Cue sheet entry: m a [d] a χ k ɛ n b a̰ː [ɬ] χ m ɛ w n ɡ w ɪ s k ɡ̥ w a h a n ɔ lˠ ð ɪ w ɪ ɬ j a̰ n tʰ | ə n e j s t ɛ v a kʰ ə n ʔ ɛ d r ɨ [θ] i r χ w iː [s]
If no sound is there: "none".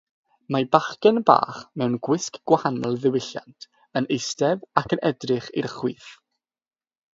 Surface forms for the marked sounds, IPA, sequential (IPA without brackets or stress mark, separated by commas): b, none, χ, θ